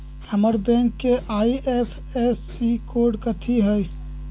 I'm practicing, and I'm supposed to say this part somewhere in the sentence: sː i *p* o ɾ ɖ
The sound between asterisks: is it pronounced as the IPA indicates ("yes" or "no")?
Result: no